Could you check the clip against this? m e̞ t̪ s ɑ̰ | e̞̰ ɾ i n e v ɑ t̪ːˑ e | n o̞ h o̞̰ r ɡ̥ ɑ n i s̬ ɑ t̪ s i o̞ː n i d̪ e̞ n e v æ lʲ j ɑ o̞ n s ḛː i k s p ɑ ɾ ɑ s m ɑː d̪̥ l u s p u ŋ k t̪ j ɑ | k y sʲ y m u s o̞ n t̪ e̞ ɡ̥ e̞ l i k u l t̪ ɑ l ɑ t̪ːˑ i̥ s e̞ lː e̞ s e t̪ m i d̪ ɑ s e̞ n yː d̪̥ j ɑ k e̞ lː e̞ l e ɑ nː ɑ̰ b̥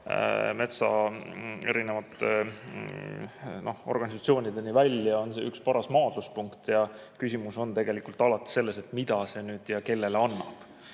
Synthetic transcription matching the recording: m e̞ t̪ s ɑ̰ | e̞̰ ɾ i n e v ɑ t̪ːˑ e | n o̞ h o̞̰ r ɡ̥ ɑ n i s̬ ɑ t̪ s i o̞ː n i d̪ e̞ n i v æ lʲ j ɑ o̞ n s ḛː y k s p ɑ ɾ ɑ s m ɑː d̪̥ l u s p u ŋ k t̪ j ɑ | k y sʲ i m u s o̞ n t̪ e̞ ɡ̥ e̞ l i k u l t̪ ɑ l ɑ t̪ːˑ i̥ s e̞ lː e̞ s e t̪ m i d̪ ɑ s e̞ n yː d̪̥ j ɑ k e̞ lː e̞ l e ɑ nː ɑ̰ b̥